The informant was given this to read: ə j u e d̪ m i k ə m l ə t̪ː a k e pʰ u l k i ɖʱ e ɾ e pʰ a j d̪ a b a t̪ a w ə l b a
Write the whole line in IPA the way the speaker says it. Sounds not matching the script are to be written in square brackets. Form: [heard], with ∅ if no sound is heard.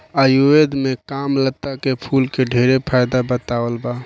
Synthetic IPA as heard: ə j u e d̪ m [e] k [a] m l ə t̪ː a k e pʰ u l k [e] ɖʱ e ɾ e pʰ a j d̪ a b [ə] t̪ a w ə l b a